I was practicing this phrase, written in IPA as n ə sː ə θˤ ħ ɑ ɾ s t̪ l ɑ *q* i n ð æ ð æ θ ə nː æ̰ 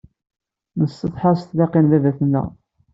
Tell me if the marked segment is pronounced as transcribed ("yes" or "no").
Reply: yes